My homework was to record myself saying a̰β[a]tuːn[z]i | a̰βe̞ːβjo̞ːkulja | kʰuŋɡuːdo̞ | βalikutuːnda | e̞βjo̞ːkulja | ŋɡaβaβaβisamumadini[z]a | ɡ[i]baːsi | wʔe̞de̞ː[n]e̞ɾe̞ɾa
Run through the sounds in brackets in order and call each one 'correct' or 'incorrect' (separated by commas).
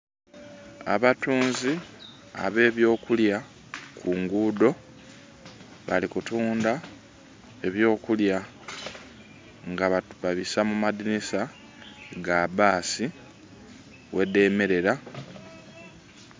correct, correct, incorrect, incorrect, incorrect